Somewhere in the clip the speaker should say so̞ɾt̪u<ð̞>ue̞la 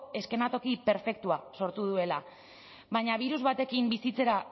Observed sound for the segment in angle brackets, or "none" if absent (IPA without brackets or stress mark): ð̞